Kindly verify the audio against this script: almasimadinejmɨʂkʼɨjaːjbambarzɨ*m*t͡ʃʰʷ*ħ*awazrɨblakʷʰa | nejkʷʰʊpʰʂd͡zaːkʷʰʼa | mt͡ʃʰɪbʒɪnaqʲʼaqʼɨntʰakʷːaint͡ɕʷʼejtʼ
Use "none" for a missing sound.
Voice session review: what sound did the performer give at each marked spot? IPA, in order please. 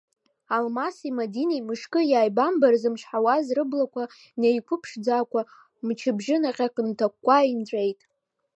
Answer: m, ħ

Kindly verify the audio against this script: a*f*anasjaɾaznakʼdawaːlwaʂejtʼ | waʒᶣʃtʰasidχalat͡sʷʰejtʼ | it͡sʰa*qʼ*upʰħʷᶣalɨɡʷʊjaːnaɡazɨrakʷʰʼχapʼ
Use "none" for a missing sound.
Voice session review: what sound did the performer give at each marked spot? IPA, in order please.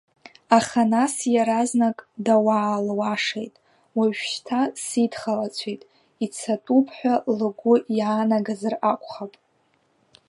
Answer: χ, tʼ

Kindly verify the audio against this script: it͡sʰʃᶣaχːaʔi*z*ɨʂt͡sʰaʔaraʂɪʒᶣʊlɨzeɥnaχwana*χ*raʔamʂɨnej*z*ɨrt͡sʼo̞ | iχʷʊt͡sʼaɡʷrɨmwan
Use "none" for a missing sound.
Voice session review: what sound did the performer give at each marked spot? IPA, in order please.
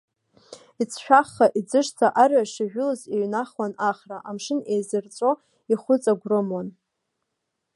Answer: d͡z, χ, z

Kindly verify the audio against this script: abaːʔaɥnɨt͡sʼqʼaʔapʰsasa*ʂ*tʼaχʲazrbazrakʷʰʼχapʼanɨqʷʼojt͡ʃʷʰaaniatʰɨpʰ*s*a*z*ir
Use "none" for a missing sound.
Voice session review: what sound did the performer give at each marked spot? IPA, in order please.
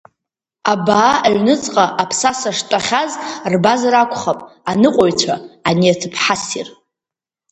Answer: ʂ, ħ, s

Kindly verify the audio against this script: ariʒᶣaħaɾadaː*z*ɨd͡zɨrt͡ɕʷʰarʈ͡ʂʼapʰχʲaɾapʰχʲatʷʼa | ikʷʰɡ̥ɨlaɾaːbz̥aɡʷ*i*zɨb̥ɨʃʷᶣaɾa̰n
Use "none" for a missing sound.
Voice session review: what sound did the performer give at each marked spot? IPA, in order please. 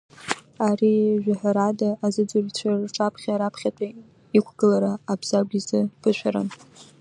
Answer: z, i

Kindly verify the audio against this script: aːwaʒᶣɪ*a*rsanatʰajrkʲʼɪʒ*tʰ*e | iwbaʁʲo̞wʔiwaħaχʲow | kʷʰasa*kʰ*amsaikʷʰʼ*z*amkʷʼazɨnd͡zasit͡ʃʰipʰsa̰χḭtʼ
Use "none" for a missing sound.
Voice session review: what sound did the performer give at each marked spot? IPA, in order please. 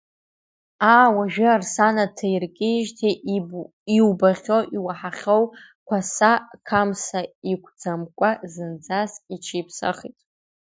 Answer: a, tʰ, kʰ, d͡z

